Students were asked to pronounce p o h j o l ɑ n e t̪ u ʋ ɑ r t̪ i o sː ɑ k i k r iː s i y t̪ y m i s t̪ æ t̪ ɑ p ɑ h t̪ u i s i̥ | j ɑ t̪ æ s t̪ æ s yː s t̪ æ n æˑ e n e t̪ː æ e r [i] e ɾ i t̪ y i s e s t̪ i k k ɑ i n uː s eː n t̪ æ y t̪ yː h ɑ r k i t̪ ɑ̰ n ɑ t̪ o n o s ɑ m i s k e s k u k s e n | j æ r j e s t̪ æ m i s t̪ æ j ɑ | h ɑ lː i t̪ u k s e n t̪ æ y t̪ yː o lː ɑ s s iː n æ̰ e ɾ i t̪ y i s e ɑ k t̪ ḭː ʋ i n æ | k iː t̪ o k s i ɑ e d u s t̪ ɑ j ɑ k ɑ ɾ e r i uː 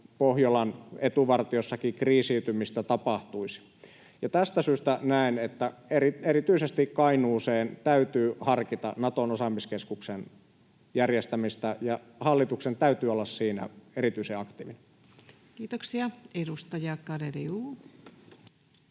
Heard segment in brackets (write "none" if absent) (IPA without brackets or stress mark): i